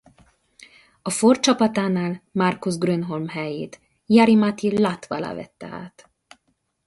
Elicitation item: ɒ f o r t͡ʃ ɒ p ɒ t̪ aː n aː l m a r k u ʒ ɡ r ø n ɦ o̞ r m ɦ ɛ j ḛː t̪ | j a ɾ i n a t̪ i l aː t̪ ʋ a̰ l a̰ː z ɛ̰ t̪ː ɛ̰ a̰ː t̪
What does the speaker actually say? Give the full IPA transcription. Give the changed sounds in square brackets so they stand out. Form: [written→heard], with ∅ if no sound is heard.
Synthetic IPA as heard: ɒ f o r t͡ʃ ɒ p ɒ t̪ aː n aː l m a r k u [ʒ→z] ɡ r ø n ɦ o̞ [r→l] m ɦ ɛ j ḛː t̪ | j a ɾ i [n→m] a t̪ i l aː t̪ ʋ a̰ l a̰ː [z→v] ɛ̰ t̪ː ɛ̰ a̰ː t̪